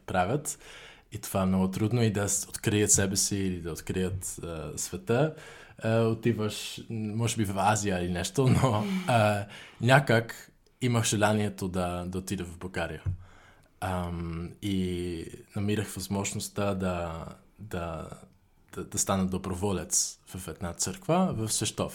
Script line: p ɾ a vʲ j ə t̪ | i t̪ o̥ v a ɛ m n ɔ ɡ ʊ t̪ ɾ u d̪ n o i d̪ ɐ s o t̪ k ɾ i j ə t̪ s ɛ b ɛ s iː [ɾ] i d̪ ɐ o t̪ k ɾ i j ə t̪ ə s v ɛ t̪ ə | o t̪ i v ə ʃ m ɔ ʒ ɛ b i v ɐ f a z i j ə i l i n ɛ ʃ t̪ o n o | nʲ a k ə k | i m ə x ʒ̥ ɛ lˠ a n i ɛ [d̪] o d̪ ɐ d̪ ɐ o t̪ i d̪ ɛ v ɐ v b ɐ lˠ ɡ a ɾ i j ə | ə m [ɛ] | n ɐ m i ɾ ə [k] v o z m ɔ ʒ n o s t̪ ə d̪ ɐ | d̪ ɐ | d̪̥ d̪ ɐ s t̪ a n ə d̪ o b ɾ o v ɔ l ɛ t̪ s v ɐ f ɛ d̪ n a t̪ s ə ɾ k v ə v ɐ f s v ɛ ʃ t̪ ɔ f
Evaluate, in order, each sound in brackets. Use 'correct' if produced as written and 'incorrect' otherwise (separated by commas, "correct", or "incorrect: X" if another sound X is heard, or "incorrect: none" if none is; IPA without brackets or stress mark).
incorrect: l, incorrect: t̪, incorrect: i, incorrect: x